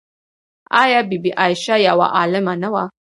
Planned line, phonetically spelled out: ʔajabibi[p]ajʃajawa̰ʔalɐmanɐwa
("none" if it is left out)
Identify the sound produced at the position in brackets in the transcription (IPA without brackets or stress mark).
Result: ʔ